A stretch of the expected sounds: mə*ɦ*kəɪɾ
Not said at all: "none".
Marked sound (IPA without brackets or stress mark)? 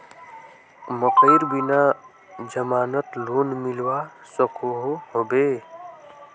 none